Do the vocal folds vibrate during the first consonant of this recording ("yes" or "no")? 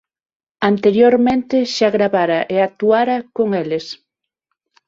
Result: yes